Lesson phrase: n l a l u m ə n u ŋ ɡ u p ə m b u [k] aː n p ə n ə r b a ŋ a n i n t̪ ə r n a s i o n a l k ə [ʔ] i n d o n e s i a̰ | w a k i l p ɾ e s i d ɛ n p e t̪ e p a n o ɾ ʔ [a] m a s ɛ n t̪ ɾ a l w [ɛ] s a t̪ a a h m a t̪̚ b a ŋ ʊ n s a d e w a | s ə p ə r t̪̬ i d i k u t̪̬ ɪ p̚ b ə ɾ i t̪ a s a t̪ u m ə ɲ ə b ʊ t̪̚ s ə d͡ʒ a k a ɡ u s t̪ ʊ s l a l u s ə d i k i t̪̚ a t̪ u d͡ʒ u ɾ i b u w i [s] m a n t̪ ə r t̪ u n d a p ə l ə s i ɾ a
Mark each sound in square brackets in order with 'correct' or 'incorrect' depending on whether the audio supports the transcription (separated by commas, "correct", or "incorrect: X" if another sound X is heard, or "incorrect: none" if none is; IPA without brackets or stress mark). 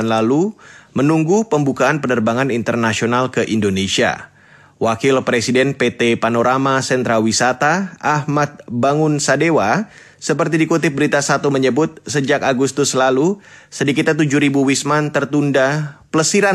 correct, correct, correct, incorrect: i, correct